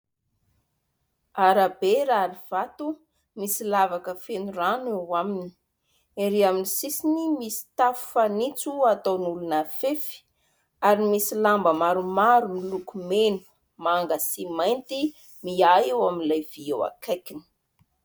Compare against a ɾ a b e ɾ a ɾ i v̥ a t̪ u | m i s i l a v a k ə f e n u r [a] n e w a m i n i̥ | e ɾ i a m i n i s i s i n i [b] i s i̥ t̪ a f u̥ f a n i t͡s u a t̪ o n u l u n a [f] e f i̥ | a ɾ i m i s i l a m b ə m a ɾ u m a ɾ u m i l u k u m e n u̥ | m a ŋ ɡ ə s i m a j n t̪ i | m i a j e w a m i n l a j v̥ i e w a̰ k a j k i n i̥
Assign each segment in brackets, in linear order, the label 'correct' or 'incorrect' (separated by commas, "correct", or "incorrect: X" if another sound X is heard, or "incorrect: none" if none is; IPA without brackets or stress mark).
correct, incorrect: m, correct